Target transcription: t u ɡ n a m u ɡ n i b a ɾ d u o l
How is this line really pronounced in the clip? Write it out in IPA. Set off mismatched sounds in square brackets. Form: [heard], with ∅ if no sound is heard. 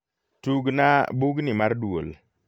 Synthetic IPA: t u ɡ n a [b] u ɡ n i [m] a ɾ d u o l

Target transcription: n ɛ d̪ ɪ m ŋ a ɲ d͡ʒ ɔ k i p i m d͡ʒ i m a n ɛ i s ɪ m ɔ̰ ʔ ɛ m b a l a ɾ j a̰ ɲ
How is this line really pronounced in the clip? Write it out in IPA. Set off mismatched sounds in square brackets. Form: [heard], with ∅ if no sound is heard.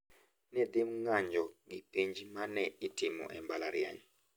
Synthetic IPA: n ɛ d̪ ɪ m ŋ a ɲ d͡ʒ ɔ [ɡ] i p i [ɲ] d͡ʒ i m a n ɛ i [t] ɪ m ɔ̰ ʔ ɛ m b a l a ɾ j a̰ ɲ

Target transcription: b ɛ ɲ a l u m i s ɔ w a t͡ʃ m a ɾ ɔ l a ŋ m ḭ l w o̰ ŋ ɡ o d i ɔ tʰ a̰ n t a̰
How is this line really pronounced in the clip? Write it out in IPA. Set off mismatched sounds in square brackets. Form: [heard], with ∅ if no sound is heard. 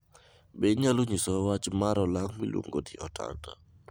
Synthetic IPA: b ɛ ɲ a l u [ɲ] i s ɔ w a t͡ʃ m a ɾ ɔ l a ŋ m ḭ l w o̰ ŋ ɡ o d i ɔ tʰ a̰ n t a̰

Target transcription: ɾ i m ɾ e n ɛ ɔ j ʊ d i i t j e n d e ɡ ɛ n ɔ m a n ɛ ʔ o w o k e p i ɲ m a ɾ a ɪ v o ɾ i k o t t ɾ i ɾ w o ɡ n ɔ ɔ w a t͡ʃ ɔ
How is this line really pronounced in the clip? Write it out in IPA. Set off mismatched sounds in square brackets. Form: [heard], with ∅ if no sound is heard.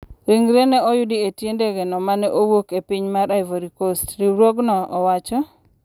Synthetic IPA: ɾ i [ŋ] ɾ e n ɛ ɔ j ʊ d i [e] t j e n d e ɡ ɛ n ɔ m a n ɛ ʔ o w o k e p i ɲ m a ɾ a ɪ v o ɾ i k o [s] t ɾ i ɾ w o ɡ n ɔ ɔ w a t͡ʃ ɔ

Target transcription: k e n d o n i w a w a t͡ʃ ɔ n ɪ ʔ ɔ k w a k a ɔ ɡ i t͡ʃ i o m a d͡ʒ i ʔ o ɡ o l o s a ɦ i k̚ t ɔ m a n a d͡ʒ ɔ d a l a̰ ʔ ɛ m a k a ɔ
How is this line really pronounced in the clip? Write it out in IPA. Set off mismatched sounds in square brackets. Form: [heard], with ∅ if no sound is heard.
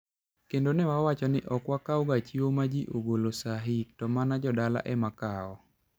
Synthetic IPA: k e n d o n [ɛ] w a w a t͡ʃ ɔ n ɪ ʔ ɔ k w a k a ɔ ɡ [a] t͡ʃ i o m a d͡ʒ i ʔ o ɡ o l o s a ɦ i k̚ t ɔ m a n a d͡ʒ ɔ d a l a̰ ʔ ɛ m a k a ɔ

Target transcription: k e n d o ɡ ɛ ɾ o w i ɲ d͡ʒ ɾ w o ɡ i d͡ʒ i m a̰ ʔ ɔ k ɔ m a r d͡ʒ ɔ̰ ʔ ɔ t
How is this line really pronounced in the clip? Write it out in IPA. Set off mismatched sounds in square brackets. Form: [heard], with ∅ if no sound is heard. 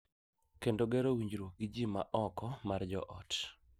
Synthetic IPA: k e n d o ɡ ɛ ɾ o w i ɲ d͡ʒ ɾ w o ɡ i d͡ʒ i m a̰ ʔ ɔ k ɔ m a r d͡ʒ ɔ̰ ʔ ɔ t

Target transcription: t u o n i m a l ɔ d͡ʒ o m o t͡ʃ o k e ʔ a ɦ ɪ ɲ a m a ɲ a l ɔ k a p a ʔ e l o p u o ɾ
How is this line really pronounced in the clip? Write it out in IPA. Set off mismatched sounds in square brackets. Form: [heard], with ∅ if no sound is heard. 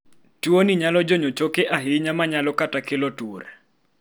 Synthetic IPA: t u o n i [ɲ] a l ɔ d͡ʒ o [ɲ] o t͡ʃ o k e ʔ a ɦ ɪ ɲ a m a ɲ a l ɔ k a [t] a [k] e l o [t] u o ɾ

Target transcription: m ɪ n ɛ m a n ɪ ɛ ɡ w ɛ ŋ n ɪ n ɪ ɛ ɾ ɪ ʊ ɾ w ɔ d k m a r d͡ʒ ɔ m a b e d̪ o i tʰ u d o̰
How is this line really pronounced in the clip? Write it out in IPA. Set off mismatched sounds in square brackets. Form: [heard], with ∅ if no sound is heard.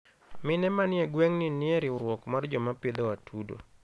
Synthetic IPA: m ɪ n ɛ m a n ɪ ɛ ɡ w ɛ ŋ n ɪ n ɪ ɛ ɾ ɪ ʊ ɾ w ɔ [∅] k m a r d͡ʒ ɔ m a [p] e d̪ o [a] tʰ u d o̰

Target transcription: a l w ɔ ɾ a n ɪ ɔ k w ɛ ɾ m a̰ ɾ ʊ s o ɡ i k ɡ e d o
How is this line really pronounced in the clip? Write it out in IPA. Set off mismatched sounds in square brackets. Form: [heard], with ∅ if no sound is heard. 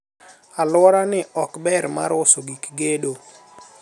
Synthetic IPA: a l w ɔ ɾ a n ɪ ɔ k [b] ɛ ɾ m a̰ ɾ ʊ s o ɡ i k ɡ e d o

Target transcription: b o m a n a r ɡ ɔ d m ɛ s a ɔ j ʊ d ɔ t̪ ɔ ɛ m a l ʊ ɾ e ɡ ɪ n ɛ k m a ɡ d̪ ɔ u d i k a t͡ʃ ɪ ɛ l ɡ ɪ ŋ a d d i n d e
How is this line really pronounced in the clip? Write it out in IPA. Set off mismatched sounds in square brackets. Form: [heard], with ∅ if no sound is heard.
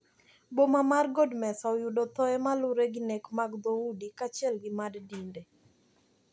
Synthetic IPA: b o m a [m] a r ɡ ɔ d m ɛ s a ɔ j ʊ d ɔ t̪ ɔ ɛ m a l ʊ ɾ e ɡ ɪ n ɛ k m a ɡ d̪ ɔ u d i k a t͡ʃ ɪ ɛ l ɡ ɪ [m] a d d i n d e

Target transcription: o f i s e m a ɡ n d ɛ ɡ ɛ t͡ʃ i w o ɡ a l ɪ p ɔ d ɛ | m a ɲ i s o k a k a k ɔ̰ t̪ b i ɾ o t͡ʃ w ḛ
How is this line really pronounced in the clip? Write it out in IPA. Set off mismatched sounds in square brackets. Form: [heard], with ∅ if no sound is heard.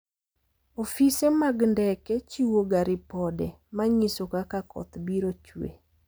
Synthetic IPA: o f i s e m a ɡ n d ɛ [k] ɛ t͡ʃ i w o ɡ a [ɾ] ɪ p ɔ d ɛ | m a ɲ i s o k a k a k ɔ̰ t̪ b i ɾ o t͡ʃ w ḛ

